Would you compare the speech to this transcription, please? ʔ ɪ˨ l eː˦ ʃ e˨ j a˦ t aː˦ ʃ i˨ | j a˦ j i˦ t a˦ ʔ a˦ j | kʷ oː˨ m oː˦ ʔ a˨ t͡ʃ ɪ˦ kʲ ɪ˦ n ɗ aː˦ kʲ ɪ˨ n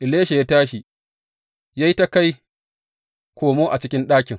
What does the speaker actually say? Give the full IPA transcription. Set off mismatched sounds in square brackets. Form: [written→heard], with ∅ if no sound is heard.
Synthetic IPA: ʔ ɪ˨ l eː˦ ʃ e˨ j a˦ t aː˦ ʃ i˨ | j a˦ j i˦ t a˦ [ʔ→k] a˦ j | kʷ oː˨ m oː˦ ʔ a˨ t͡ʃ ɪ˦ kʲ ɪ˦ n ɗ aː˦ kʲ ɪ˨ [n→ŋ]